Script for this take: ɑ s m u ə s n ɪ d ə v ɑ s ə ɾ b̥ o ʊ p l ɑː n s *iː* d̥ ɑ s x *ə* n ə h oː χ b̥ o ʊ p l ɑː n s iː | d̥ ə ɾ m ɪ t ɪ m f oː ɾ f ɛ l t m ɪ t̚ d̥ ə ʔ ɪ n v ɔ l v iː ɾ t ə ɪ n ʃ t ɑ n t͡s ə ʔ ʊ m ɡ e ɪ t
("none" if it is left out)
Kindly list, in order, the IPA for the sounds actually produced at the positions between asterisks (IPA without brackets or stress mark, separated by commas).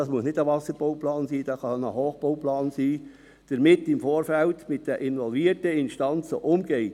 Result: iː, ɑ